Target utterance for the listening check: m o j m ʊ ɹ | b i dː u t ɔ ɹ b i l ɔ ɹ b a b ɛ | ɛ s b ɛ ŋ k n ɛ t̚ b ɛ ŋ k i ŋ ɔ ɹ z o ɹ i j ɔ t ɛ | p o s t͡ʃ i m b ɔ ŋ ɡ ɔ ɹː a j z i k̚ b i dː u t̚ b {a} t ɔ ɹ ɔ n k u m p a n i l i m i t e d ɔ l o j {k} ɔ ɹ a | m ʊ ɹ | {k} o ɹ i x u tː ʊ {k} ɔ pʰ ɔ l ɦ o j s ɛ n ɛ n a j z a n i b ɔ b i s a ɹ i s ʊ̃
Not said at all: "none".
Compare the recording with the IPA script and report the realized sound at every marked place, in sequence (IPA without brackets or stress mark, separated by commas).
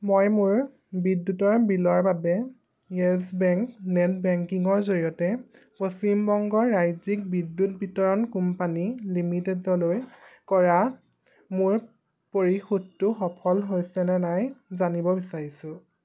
i, k, p, x